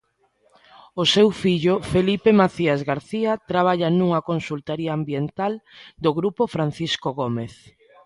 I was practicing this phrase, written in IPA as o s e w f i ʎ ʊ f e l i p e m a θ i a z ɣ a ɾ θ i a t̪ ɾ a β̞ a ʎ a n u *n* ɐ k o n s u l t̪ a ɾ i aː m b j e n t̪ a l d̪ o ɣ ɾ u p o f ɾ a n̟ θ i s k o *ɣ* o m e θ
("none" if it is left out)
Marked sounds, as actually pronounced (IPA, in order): ŋ, ɣ

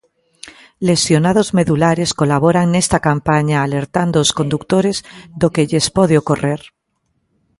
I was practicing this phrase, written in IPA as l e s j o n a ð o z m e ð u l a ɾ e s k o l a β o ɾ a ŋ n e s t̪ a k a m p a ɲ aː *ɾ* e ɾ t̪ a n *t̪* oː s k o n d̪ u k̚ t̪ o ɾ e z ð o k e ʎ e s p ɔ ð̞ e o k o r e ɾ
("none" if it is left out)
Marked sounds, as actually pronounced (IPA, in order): l, d̪

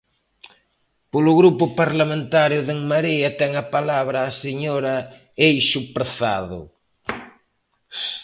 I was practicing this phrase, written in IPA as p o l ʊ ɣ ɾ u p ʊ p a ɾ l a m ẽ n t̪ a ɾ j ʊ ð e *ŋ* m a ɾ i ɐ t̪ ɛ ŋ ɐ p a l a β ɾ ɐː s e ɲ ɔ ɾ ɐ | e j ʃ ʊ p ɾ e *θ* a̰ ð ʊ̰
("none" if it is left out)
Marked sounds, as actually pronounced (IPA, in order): ŋ, θ

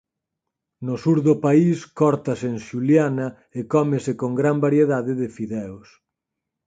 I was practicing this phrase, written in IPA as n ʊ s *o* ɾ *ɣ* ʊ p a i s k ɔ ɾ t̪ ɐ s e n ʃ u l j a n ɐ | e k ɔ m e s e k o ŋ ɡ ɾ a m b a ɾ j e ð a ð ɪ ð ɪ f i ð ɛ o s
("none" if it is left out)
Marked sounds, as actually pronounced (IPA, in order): u, ð

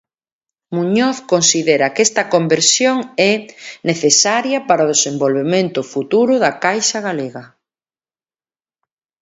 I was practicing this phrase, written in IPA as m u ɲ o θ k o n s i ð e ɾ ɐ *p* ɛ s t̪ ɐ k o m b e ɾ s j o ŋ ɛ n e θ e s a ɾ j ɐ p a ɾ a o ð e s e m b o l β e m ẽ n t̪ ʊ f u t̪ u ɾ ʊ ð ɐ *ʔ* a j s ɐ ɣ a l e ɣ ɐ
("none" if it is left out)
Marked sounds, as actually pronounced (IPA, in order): k, k

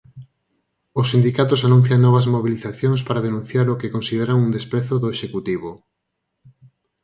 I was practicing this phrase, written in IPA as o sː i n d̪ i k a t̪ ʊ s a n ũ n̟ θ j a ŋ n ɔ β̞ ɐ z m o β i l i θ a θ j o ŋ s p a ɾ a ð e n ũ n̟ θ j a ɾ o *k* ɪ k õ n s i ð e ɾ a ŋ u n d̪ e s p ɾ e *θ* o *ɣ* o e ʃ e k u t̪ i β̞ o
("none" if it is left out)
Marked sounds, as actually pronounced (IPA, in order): k, θ, ð

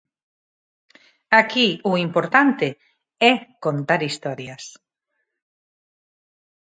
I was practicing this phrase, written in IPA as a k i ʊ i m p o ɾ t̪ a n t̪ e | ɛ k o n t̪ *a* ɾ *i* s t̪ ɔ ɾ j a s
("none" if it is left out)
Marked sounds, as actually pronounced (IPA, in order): a, i

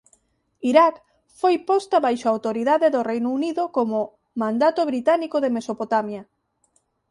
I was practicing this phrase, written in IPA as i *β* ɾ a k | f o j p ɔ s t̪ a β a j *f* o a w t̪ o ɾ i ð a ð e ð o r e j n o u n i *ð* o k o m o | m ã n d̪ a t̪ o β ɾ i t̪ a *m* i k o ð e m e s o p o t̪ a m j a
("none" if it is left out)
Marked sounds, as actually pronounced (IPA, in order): none, ʃ, ð, n

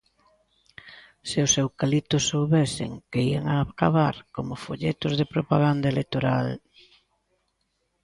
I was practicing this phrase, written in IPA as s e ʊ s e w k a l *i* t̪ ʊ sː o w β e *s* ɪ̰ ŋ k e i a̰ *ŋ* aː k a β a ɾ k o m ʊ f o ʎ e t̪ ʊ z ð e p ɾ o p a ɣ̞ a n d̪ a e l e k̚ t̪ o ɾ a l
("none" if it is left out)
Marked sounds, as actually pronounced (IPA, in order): i, s, ŋ

